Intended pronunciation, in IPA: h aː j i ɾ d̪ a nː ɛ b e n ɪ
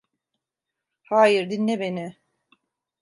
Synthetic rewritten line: h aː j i ɾ d̪ i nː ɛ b e n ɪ

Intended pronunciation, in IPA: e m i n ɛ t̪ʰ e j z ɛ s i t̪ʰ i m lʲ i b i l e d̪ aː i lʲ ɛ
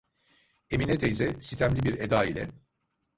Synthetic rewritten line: e m i n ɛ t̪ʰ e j z ɛ s i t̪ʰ æ m lʲ i b i ɾ e d̪ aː i lʲ ɛ

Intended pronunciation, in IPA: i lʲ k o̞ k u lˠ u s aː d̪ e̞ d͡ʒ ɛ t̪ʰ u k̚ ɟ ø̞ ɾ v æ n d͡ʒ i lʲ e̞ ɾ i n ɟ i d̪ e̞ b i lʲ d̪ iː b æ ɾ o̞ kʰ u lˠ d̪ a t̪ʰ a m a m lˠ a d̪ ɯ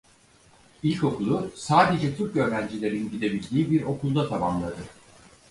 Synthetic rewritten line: i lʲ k o̞ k u lˠ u s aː d̪ e̞ d͡ʒ ɛ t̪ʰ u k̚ ɟ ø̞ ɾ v æ n d͡ʒ i lʲ e̞ ɾ i n ɟ i d̪ e̞ b i lʲ d̪ iː b i ɾ o̞ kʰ u lˠ d̪ a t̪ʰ a m a m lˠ a d̪ ɯ

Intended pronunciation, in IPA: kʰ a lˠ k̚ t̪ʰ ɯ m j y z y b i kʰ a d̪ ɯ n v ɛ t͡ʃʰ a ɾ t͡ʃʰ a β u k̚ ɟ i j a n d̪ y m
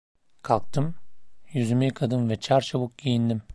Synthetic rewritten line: kʰ a lˠ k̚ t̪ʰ ɯ m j y z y m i kʰ a d̪ ɯ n v ɛ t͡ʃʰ a ɾ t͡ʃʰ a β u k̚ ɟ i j i n d̪ i m

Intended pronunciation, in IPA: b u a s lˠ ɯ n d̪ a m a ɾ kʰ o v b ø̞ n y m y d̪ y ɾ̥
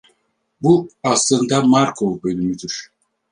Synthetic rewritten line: b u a s lˠ ɯ n d̪ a m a ɾ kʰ o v b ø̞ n y m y d̪ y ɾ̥

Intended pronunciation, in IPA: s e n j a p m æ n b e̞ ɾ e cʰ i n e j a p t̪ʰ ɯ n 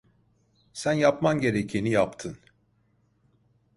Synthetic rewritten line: s æ n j a p m a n ɟ e̞ ɾ e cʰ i n i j a p t̪ʰ ɯ n

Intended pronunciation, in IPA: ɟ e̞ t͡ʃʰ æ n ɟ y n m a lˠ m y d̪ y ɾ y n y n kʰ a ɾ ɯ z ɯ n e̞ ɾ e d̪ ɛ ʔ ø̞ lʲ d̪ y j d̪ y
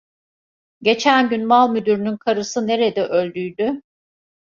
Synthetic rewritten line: ɟ e̞ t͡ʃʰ æ n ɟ y n m a lˠ m y d̪ y ɾ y n y n kʰ a ɾ ɯ s ɯ n e̞ ɾ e d̪ ɛ ʔ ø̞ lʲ d̪ y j d̪ y

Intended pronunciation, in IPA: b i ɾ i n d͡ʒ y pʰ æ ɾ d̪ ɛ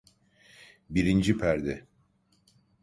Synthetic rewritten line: b i ɾ i n d͡ʒ i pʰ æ ɾ d̪ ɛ

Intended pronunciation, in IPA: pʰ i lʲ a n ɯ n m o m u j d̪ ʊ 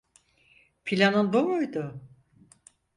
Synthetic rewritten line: pʰ i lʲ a n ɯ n b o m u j d̪ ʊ

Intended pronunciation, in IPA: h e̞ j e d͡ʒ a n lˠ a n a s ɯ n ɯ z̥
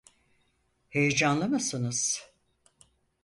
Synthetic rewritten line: h e̞ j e d͡ʒ a n lˠ a m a s ɯ n ɯ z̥

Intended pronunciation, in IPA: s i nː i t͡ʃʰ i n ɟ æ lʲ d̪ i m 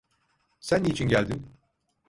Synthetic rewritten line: s æ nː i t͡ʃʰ i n ɟ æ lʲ d̪ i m

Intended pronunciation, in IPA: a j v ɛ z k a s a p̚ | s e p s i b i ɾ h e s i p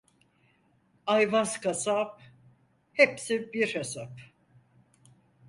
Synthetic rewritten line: a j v a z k a s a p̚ | h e p s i b i ɾ h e s a p

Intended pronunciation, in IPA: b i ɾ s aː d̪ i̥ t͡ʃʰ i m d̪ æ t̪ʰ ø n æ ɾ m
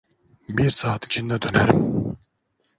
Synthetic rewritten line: b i ɾ s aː t̪ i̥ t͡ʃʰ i n d̪ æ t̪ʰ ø n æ ɾ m

